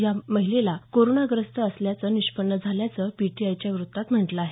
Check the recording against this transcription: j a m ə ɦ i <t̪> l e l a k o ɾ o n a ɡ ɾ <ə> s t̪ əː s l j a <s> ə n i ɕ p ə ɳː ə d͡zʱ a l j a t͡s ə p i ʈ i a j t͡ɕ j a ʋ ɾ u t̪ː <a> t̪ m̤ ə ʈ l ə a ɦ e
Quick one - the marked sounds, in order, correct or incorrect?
incorrect: none, correct, incorrect: t͡s, correct

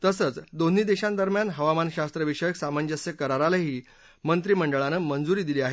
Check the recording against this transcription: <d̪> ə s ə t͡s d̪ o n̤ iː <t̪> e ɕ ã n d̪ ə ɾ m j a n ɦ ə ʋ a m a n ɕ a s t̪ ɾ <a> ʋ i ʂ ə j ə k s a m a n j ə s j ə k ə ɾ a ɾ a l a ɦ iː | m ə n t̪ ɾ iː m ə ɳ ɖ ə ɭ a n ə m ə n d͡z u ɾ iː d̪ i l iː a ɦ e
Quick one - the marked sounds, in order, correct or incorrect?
incorrect: t̪, incorrect: d̪, incorrect: ə

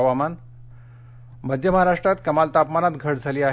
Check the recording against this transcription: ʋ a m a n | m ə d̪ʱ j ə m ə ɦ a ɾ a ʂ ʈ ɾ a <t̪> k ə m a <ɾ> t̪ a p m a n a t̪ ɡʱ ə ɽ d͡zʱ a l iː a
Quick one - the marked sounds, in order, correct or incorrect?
correct, incorrect: l

